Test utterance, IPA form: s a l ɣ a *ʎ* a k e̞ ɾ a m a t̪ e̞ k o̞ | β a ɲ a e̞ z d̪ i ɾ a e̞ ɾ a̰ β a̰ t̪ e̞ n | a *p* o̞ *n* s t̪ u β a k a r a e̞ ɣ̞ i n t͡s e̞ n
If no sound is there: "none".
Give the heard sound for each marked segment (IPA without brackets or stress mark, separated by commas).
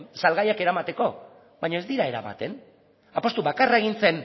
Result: j, p, none